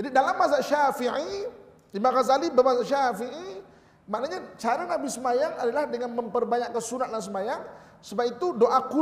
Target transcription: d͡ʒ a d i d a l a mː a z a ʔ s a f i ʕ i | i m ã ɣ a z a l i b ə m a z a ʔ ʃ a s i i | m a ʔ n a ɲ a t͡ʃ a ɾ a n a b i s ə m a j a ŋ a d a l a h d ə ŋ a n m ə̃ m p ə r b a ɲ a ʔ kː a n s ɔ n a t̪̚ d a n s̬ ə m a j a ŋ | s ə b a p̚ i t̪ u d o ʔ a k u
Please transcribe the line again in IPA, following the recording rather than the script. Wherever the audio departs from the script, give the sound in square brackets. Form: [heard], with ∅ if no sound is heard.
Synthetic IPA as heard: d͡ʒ a d i d a l a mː a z a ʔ [ʃ] a f i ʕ i | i m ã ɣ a z a l i b ə m a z a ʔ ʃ a [f] i i | m a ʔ n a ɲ a t͡ʃ a ɾ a n a b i s ə m a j a ŋ a d a l a h d ə ŋ a n m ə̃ m p ə r b a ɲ a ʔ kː a n s [u] n a t̪̚ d a n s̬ ə m a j a ŋ | s ə b a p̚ i t̪ u d o ʔ a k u